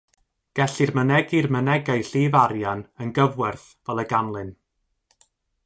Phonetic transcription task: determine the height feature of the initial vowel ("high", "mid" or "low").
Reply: mid